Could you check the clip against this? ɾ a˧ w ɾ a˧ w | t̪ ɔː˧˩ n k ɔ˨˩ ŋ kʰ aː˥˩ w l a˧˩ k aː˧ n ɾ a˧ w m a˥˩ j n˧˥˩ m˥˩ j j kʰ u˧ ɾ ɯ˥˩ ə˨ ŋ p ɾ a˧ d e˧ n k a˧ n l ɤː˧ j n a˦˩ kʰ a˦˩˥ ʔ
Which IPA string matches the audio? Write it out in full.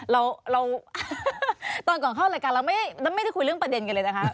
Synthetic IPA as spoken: ɾ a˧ w ɾ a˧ w | t̪ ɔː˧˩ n k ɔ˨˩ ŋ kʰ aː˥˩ w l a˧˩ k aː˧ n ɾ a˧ w m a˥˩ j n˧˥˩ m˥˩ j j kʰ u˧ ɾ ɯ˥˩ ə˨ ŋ p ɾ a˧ d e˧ n k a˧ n l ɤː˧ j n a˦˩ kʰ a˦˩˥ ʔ